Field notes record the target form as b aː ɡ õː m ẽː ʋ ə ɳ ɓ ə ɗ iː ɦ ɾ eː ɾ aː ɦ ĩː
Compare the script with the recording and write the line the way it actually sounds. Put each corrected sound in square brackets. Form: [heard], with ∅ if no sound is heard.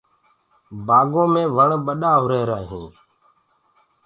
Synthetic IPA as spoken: b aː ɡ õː m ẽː ʋ ə ɳ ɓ ə ɗ [aː] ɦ ɾ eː ɾ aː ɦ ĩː